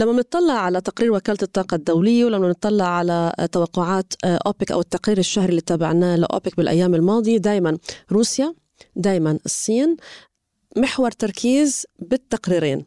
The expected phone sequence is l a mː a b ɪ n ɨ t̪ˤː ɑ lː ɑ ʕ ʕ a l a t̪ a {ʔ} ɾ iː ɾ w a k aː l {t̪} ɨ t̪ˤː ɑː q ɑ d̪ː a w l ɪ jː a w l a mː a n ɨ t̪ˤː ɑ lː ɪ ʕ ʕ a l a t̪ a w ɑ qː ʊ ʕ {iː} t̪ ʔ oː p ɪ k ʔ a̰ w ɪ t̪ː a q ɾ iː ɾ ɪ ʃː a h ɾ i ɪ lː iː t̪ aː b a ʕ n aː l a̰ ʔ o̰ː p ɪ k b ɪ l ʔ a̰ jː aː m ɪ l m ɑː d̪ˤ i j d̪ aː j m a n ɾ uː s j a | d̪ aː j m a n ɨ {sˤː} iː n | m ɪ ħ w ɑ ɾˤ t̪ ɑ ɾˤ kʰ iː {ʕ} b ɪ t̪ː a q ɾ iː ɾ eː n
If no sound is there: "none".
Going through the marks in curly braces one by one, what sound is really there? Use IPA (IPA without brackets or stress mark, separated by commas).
q, t̪, aː, sˤː, z